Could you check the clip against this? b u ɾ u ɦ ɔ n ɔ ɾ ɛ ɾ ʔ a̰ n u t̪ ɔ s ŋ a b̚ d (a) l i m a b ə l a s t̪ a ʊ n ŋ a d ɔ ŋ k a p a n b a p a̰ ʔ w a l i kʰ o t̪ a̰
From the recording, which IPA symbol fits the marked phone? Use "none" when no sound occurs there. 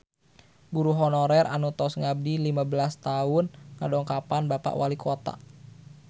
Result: i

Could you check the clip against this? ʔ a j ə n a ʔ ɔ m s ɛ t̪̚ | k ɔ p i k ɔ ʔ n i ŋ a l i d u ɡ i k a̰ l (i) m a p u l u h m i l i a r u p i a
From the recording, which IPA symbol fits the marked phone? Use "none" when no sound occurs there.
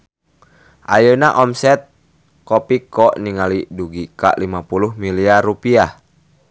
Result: i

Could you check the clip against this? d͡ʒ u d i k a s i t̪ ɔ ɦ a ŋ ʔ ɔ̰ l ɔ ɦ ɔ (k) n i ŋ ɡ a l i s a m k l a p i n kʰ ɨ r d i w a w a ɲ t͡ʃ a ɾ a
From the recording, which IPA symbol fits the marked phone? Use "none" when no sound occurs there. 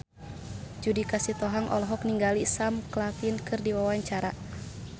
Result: k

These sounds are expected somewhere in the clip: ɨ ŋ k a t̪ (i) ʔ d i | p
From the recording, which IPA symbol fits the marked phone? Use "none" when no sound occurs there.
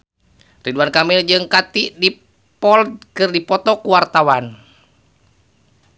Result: i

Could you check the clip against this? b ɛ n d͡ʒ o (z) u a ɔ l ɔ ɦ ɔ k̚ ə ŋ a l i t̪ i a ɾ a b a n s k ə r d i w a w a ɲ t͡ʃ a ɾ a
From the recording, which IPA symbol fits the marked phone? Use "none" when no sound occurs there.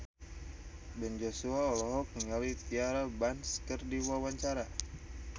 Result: s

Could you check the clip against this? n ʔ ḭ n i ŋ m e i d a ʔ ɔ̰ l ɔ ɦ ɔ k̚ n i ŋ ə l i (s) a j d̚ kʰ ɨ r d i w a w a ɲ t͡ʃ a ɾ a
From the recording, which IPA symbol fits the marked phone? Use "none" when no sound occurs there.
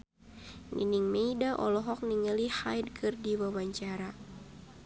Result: h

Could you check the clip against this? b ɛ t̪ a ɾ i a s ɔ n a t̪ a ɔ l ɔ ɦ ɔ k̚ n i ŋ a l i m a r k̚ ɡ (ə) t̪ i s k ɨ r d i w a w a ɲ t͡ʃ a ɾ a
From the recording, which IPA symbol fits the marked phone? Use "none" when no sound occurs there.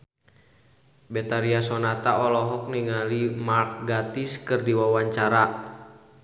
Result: a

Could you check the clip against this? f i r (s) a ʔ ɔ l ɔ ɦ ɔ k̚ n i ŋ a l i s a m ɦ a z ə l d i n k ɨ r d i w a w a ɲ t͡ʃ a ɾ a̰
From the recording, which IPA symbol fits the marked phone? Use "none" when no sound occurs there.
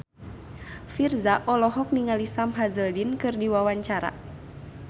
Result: z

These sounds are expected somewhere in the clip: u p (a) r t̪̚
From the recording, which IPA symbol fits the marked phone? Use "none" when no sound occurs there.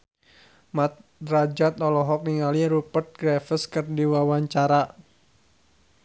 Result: ə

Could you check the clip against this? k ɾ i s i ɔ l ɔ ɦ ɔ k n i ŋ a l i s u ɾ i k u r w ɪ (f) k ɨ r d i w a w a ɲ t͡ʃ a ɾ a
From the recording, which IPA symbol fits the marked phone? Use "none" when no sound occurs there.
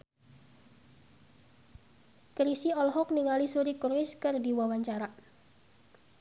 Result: s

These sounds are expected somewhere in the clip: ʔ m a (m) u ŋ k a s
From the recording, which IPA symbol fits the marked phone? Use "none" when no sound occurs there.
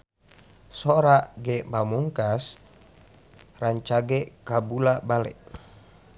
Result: m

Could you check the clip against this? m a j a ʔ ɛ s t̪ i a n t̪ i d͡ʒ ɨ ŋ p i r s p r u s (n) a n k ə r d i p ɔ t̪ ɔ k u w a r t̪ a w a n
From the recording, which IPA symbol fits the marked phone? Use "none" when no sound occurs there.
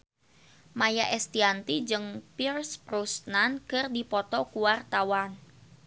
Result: n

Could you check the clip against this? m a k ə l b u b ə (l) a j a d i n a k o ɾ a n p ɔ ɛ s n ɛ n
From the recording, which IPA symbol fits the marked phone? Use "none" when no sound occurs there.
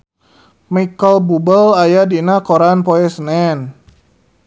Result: l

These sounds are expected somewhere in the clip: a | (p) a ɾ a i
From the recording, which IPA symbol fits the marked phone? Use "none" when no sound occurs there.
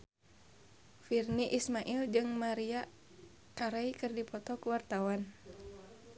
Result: k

